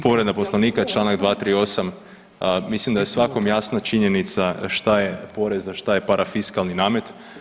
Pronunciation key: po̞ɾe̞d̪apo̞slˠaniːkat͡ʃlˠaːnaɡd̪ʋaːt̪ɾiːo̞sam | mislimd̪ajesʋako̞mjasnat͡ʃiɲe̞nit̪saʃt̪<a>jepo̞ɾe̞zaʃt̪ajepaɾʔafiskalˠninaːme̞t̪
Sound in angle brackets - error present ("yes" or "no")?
no